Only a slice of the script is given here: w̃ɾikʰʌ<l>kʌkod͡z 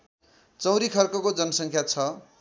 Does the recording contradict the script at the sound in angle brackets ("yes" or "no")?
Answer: yes